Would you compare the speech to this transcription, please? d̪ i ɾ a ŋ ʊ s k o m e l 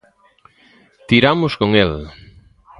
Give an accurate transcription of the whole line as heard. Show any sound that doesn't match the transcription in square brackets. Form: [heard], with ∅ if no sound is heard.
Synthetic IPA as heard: [t̪] i ɾ a [m] ʊ s k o [ŋ] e l